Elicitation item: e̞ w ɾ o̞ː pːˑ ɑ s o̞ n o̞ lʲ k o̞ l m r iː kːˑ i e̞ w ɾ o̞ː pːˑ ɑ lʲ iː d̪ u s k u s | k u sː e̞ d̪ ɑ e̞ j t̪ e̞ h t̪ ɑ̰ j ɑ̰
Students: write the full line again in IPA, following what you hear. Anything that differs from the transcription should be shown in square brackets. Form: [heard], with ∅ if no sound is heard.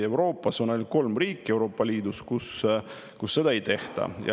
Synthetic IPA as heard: e̞ w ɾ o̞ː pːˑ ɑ s o̞ n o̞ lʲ k o̞ l m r iː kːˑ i e̞ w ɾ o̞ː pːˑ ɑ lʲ iː d̪ u s k u s | k u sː e̞ d̪ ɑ e̞ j t̪ e̞ h t̪ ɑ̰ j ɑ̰